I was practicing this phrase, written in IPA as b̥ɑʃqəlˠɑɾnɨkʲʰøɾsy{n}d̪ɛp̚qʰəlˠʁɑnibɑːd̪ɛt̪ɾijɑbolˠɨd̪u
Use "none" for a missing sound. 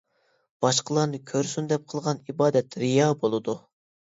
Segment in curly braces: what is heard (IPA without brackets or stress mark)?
n